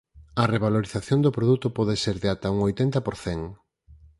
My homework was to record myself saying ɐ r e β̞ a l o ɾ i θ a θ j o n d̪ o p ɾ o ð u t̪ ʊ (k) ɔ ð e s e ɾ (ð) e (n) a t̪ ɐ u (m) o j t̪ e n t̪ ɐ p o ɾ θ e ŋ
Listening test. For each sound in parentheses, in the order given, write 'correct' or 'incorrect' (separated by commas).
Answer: incorrect, correct, incorrect, incorrect